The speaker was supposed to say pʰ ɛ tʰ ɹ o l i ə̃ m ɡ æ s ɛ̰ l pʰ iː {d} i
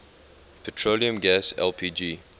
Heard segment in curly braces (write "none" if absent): d͡ʒ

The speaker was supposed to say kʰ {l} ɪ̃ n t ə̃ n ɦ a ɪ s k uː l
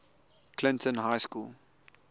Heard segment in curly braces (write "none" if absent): l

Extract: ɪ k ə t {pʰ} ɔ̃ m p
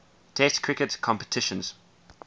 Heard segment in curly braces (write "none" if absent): kʰ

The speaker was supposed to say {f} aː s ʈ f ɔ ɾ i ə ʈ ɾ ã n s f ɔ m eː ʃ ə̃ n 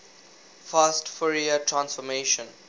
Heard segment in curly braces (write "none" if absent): f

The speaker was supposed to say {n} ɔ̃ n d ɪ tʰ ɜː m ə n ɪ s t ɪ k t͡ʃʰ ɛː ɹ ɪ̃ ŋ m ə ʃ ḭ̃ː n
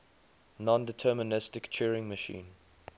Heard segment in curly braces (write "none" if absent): n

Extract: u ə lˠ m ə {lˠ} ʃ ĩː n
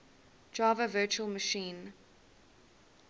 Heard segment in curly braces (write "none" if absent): none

